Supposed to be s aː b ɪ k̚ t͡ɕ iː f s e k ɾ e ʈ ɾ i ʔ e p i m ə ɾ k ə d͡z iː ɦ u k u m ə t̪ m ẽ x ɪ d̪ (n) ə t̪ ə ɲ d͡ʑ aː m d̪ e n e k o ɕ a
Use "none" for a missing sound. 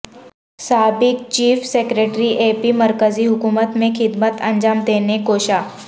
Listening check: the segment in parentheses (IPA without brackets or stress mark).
m